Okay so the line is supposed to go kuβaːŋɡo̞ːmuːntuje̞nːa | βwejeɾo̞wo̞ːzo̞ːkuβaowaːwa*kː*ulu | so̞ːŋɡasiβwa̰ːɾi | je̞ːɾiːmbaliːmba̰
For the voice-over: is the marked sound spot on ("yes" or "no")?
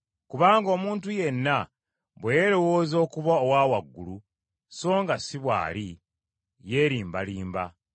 no